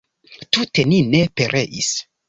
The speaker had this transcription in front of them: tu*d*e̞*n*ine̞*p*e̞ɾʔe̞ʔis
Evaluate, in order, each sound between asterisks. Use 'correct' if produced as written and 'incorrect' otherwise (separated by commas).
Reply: incorrect, correct, correct